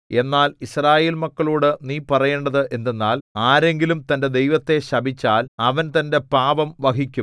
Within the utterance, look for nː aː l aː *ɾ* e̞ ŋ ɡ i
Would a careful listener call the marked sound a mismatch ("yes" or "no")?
no